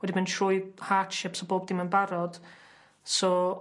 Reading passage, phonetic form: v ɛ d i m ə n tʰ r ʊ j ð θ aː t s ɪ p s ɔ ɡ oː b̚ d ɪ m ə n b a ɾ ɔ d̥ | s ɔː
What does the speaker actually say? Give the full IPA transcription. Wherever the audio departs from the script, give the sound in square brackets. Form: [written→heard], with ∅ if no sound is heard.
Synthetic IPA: [v→w] ɛ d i m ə n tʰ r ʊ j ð [θ→h] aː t [s→ʃ] ɪ p s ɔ [ɡ→b] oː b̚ d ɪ m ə n b a ɾ ɔ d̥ | s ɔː